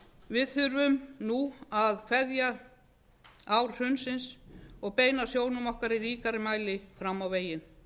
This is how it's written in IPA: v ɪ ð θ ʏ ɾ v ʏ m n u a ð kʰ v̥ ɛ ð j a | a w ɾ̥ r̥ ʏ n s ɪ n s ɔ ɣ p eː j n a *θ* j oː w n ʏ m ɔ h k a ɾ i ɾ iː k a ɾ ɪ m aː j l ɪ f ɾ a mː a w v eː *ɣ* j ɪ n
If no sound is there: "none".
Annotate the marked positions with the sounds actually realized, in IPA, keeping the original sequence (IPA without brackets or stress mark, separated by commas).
s, none